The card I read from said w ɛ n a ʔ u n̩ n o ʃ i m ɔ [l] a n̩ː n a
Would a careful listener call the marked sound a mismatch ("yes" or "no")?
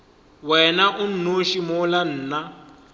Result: no